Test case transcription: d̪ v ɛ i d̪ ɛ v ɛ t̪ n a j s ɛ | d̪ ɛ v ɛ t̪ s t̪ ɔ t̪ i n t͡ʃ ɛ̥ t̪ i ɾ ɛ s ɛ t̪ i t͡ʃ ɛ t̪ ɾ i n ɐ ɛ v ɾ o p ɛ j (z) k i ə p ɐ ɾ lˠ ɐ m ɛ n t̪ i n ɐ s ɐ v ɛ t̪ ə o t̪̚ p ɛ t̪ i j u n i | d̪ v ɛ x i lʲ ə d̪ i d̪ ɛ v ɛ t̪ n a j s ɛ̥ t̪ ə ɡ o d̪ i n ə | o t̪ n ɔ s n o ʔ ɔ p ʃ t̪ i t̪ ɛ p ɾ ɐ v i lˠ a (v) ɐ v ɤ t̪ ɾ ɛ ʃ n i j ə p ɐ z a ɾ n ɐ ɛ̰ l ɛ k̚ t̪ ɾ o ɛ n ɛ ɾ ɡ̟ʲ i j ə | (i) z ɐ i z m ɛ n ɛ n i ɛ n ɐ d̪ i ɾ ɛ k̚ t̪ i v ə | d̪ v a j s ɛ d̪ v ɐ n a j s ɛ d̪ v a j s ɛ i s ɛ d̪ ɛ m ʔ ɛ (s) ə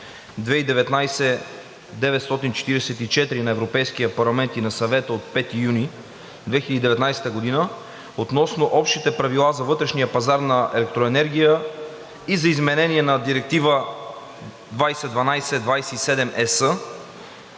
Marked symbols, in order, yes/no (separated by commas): no, no, yes, yes